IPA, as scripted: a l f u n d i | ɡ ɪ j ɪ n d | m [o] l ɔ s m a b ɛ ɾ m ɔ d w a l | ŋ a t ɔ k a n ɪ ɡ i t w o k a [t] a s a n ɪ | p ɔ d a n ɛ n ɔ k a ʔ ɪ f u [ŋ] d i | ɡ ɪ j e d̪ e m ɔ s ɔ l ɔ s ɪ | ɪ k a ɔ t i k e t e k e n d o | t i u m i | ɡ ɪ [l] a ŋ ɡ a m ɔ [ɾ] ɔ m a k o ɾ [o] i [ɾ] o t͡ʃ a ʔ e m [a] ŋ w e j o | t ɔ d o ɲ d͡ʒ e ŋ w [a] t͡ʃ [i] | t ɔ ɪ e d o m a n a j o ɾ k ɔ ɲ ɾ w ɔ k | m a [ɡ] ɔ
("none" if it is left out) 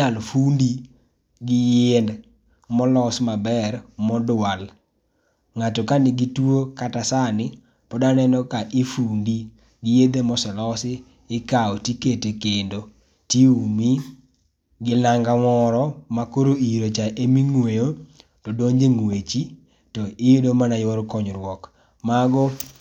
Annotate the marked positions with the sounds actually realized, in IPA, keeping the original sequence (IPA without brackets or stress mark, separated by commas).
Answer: ɔ, t, n, l, ɾ, o, ɾ, i, e, i, ɡ